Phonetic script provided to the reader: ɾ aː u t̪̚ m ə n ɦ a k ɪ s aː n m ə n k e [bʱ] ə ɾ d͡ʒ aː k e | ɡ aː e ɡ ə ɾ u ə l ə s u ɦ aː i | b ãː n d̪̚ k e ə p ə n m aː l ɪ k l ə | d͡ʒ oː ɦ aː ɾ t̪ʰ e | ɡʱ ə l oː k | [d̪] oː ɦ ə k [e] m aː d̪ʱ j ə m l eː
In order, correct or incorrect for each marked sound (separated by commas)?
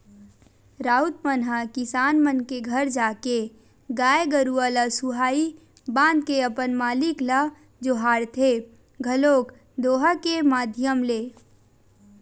incorrect, correct, correct